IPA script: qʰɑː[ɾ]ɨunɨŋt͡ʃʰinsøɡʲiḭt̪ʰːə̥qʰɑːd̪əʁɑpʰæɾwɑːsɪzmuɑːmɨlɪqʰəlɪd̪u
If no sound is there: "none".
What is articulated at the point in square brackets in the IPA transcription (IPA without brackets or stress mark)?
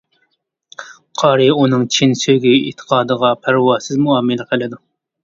ɾ